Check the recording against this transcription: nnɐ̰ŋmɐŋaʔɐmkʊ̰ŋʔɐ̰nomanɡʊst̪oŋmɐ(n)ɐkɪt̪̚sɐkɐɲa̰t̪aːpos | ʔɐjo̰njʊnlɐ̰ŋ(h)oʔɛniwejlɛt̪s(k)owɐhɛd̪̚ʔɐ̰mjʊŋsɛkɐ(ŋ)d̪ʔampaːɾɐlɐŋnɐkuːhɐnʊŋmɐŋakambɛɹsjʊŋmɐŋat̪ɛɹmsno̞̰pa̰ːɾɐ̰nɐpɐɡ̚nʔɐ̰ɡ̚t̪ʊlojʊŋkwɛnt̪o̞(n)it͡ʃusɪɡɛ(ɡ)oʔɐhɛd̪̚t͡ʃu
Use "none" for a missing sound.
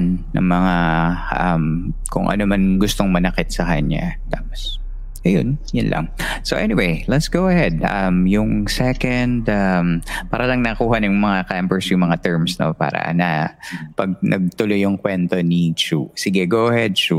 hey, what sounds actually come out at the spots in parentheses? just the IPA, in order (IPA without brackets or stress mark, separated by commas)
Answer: n, s, ɡ, n, n, ɡ